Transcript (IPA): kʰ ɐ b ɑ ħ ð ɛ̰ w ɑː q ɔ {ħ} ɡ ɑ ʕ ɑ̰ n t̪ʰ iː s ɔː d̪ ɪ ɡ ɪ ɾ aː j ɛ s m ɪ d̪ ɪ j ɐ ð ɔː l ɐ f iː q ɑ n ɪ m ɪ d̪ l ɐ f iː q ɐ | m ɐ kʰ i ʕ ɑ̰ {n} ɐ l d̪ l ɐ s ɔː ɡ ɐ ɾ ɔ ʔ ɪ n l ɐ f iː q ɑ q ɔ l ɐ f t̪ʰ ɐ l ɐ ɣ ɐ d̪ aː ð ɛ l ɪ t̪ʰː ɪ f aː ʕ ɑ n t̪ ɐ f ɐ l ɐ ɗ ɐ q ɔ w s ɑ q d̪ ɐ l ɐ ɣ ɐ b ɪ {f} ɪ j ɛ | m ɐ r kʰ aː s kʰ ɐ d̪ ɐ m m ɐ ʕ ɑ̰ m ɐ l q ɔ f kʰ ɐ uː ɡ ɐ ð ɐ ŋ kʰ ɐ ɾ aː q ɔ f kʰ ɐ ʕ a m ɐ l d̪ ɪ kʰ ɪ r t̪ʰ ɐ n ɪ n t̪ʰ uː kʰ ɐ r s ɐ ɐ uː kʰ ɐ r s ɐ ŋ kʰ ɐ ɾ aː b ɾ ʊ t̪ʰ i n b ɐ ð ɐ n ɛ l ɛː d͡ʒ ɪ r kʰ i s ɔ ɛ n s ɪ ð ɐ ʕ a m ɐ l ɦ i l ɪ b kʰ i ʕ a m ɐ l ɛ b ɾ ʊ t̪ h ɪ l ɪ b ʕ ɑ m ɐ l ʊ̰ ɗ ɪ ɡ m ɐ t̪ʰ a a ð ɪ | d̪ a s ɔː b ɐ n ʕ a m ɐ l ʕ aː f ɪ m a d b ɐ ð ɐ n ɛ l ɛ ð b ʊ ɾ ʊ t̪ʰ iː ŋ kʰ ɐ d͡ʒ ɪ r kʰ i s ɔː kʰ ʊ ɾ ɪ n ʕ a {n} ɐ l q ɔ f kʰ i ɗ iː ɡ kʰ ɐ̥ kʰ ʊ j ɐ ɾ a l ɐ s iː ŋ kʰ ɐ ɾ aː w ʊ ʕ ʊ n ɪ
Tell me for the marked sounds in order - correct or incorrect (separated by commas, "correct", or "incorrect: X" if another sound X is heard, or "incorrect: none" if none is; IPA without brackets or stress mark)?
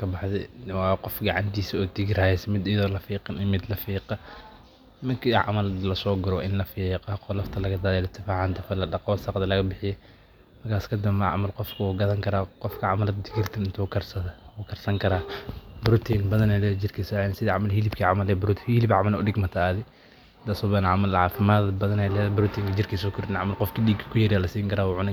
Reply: incorrect: f, incorrect: m, incorrect: ħ, incorrect: m